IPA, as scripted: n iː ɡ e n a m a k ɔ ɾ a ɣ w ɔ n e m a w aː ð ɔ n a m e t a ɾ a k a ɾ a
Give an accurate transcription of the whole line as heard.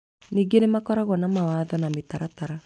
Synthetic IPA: n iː ɡ e n e m a k ɔ ɾ a ɣ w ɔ n a m a w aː ð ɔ n a m e t a ɾ a t a ɾ a